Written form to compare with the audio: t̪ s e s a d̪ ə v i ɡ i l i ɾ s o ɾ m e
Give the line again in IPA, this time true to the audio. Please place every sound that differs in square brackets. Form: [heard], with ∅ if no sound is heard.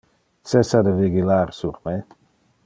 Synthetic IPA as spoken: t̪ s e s a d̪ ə v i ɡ i l [a] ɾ s [u] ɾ m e